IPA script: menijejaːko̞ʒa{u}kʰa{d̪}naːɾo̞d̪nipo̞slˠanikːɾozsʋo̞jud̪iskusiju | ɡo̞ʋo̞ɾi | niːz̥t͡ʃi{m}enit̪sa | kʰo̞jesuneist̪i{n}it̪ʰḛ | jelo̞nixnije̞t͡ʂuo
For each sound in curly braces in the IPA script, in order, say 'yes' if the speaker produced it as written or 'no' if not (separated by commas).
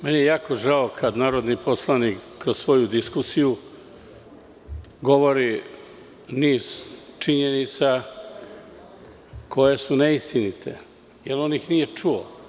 no, yes, no, yes